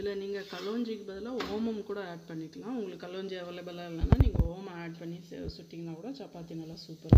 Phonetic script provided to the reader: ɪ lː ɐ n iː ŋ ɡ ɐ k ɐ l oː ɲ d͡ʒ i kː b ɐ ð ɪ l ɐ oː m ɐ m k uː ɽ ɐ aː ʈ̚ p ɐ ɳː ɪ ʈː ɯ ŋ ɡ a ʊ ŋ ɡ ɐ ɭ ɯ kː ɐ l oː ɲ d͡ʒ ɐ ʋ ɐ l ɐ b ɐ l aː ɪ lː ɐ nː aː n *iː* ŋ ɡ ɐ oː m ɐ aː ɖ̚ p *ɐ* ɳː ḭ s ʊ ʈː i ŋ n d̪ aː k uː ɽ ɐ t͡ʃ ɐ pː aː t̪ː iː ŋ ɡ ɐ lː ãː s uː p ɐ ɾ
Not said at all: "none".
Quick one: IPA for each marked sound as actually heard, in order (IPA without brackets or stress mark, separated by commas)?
iː, ɐ